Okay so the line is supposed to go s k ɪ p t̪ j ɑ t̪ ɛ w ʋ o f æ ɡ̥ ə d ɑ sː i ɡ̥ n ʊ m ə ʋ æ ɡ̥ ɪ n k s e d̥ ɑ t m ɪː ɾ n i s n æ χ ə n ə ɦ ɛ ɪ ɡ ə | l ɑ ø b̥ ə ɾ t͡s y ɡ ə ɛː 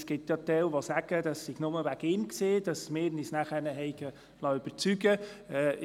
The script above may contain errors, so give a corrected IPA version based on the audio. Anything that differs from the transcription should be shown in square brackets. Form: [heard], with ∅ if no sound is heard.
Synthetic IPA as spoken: s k ɪ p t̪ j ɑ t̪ ɛ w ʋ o [s] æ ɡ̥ ə d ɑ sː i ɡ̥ n ʊ m ə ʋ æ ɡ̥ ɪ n k s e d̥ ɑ [s] m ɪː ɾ n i s n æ χ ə n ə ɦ ɛ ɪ ɡ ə | l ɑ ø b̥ ə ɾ t͡s y ɡ ə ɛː